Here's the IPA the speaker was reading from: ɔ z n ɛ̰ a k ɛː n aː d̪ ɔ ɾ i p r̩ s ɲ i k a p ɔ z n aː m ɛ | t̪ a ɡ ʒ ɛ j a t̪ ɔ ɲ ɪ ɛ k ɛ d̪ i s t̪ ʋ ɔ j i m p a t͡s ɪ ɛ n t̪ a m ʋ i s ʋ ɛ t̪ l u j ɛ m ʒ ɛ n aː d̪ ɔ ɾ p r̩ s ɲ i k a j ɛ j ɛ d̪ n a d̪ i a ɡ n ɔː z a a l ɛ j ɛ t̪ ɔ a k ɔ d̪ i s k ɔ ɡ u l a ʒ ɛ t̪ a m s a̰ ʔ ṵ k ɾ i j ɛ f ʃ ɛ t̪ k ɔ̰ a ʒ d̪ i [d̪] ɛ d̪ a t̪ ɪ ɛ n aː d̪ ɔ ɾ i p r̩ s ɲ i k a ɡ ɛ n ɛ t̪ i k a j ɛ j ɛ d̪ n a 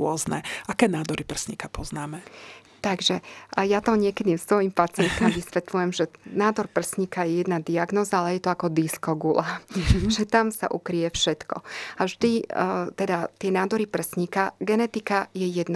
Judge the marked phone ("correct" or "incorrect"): incorrect